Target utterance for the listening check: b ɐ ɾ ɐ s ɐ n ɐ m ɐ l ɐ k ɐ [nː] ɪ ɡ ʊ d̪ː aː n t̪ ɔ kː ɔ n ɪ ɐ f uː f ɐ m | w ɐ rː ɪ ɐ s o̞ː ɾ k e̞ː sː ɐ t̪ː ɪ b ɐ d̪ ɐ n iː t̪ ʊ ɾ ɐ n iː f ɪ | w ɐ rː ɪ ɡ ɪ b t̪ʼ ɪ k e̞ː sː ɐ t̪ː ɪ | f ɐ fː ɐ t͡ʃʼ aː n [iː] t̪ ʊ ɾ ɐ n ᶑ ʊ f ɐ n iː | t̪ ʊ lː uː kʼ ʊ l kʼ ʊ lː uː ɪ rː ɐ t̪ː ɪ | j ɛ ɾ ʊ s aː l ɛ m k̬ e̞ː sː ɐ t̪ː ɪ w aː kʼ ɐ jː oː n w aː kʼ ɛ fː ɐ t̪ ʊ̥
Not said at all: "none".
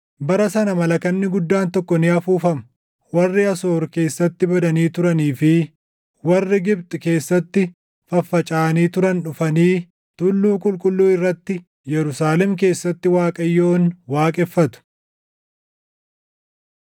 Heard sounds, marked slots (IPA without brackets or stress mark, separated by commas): nː, iː